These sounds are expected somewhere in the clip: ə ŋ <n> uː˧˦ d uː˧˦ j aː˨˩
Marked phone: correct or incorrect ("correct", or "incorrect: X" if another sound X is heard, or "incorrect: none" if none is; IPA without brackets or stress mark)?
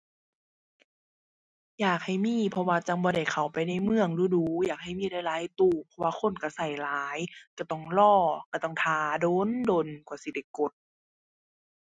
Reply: incorrect: d